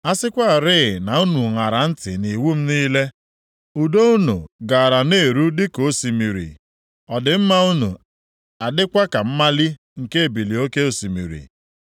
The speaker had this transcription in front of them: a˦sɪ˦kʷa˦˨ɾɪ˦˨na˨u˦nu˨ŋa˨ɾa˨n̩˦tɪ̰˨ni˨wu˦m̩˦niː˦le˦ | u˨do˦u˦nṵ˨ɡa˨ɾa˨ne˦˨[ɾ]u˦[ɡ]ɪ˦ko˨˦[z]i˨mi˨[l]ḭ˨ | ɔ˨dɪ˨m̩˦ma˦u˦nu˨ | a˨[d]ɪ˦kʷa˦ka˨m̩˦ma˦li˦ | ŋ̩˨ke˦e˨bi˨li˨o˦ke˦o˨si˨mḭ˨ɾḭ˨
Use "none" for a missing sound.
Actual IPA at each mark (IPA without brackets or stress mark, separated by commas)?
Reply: ɾ, d, s, ɾ, d